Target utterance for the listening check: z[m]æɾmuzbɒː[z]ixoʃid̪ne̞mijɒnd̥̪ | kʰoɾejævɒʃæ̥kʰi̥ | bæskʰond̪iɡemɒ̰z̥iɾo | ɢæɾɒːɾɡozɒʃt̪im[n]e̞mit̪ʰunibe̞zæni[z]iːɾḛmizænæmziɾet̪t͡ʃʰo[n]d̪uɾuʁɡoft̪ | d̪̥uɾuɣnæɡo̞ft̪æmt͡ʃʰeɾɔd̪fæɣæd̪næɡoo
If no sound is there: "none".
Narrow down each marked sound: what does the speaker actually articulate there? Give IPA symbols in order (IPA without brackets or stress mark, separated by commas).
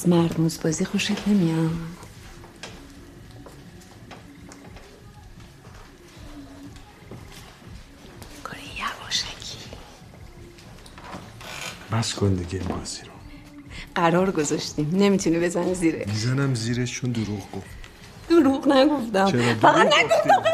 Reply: m, z, n, z, n